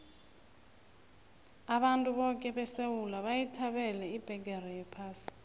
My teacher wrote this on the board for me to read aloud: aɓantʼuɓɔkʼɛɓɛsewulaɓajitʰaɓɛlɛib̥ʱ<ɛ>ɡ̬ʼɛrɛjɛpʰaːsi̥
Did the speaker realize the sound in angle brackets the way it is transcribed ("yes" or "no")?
yes